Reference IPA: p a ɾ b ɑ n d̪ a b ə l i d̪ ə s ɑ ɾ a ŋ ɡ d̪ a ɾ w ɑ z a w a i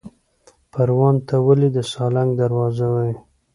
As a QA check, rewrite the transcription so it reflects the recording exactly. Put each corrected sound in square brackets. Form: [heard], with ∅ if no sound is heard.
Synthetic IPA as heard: p a ɾ [w] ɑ n [t̪] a [w] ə l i d̪ ə s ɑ [l] a ŋ ɡ d̪ a ɾ w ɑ z a w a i